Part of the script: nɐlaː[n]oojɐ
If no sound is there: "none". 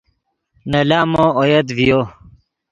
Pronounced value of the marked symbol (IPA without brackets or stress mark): m